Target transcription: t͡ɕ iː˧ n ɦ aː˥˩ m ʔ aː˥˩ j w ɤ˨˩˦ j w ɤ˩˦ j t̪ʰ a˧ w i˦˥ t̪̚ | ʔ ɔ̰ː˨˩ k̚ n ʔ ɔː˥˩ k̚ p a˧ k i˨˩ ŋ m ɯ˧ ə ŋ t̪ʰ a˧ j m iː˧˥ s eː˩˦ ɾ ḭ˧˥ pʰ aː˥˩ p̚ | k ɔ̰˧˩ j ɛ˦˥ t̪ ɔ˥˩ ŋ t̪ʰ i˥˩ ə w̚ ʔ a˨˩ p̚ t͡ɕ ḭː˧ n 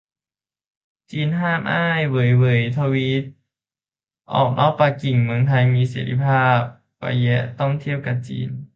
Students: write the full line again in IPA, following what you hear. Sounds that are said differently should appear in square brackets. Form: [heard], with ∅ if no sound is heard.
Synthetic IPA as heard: t͡ɕ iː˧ n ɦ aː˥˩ m ʔ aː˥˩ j w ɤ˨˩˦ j w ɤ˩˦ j t̪ʰ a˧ w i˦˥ t̪̚ | ʔ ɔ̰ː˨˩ k̚ n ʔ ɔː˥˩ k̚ p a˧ k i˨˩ ŋ m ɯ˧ ə ŋ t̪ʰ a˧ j m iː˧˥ s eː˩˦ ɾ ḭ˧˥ pʰ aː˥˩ p̚ | k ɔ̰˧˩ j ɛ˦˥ t̪ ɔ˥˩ ŋ t̪ʰ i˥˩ ə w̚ [k] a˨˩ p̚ t͡ɕ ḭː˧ n